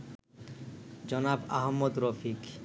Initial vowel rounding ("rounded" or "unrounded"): rounded